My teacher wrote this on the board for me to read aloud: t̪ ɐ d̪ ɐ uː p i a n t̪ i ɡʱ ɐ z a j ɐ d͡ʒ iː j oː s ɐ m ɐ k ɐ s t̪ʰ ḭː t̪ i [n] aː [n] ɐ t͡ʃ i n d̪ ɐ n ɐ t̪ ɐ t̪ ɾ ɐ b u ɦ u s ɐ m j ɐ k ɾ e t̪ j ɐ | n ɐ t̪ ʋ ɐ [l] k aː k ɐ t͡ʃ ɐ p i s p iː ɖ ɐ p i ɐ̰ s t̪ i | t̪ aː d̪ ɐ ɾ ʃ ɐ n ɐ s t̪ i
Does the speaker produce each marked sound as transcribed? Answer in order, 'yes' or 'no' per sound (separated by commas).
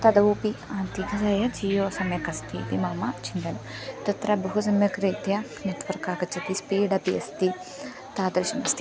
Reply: no, no, no